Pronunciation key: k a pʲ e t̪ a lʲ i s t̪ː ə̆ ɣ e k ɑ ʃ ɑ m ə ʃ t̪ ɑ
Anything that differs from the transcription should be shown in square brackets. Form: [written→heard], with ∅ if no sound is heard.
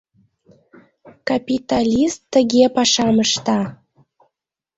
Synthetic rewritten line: k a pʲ [e→i] t̪ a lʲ i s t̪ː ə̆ ɣ e [k→p] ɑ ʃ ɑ m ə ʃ t̪ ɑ